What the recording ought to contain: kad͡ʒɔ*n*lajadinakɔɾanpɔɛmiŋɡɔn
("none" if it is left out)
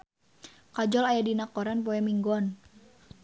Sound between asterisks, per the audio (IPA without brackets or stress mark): none